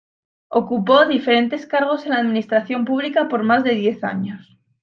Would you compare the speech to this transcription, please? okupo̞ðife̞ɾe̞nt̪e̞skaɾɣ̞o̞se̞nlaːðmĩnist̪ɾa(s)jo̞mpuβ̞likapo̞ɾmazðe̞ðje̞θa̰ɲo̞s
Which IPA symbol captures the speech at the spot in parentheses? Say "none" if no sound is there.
θ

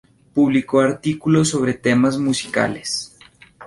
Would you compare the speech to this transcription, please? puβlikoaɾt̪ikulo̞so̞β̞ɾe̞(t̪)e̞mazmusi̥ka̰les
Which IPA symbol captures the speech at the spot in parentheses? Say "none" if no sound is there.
t̪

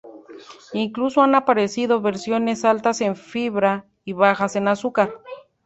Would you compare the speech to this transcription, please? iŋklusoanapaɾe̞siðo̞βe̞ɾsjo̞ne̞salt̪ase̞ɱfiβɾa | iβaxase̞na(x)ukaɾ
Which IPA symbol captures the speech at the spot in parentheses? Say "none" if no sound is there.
s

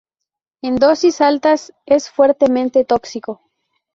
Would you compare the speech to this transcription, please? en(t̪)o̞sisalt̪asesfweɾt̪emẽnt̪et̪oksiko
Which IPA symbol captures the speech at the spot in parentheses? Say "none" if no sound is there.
d̪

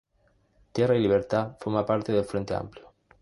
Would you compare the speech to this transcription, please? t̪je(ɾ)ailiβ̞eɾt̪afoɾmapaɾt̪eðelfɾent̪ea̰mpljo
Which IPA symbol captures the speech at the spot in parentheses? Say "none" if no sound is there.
r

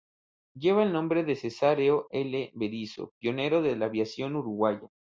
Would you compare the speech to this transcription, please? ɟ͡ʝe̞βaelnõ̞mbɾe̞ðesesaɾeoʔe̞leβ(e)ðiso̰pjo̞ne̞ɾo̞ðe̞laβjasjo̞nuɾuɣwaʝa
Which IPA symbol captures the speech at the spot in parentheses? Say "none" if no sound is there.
e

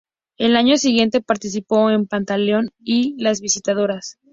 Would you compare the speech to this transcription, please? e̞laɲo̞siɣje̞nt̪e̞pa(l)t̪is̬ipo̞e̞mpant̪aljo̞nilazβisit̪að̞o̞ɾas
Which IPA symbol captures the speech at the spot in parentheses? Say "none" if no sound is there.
ɾ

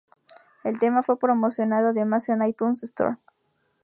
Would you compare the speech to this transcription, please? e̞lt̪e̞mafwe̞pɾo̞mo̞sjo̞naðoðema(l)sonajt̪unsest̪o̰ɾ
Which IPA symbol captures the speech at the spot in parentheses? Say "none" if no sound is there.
none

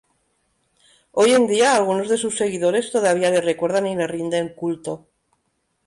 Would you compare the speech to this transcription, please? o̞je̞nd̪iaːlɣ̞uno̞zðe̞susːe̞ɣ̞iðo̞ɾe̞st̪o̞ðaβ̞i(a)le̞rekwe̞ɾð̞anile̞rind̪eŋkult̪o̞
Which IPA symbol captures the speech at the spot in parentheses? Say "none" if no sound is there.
a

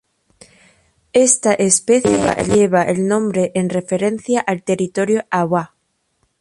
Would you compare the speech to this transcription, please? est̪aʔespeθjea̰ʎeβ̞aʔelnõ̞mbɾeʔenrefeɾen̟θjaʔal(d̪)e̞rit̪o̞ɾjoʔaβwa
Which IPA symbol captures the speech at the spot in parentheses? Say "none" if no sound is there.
t̪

